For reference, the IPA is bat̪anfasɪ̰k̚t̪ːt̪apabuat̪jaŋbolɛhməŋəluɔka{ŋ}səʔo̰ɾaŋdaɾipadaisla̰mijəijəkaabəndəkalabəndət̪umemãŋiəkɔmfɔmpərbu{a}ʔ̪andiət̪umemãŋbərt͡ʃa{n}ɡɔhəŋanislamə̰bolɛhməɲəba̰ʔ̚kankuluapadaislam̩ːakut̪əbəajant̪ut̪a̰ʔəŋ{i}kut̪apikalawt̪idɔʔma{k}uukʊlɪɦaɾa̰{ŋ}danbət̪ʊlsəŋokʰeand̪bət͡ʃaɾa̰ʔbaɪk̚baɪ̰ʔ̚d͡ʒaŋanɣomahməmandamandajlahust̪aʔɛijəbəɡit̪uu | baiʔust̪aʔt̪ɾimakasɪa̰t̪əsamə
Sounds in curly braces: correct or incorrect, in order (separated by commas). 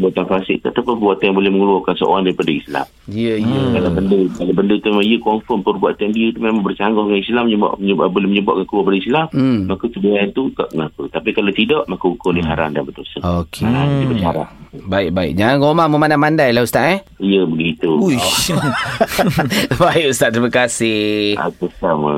incorrect, correct, incorrect, incorrect, correct, incorrect